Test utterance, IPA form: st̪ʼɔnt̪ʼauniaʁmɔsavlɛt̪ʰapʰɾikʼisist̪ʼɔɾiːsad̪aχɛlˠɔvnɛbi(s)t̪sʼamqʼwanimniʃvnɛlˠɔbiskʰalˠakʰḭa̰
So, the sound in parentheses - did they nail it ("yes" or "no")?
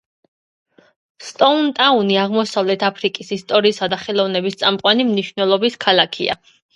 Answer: yes